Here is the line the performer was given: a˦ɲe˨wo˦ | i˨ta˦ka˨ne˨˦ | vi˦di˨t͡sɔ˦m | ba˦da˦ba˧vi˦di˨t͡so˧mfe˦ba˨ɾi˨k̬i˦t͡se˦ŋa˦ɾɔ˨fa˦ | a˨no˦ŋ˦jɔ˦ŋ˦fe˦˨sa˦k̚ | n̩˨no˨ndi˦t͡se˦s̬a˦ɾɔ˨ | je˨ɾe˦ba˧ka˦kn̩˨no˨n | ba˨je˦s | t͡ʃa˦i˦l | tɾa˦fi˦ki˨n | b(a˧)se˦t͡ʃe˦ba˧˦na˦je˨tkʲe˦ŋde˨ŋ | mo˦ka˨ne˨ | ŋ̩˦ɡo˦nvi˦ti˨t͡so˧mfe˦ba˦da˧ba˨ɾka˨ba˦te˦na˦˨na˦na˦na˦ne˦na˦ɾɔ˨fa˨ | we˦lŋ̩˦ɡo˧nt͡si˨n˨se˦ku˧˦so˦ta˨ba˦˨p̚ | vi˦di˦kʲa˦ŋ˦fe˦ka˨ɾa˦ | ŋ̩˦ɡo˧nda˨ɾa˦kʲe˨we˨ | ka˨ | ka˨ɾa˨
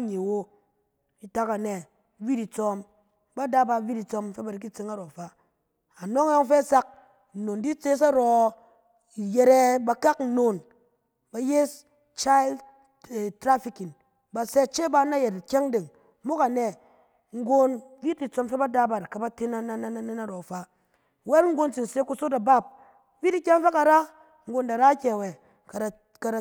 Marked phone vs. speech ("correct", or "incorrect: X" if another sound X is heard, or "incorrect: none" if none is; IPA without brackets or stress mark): correct